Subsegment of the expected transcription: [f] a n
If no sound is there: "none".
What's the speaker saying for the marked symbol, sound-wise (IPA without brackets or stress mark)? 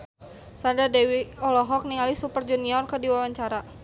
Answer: s